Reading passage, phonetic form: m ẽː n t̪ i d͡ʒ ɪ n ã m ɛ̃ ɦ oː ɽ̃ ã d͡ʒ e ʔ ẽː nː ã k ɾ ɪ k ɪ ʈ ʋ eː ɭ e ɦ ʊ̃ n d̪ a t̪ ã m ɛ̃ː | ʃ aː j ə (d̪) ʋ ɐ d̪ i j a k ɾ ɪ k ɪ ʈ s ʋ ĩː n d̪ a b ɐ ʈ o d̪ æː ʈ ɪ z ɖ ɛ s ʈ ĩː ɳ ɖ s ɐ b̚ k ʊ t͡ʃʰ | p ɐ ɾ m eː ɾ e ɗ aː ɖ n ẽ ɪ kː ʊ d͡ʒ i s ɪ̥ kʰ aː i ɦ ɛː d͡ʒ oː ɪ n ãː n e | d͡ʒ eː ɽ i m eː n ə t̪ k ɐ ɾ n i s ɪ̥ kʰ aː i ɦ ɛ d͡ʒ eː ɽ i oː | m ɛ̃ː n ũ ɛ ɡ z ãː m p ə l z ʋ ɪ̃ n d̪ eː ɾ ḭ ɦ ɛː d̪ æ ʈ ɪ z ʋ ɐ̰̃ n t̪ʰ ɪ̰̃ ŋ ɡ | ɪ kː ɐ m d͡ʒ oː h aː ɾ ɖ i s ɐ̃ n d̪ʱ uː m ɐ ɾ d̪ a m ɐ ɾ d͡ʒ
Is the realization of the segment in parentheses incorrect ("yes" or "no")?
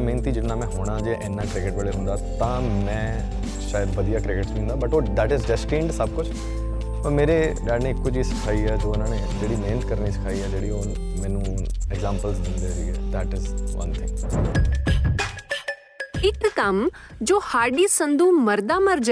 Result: no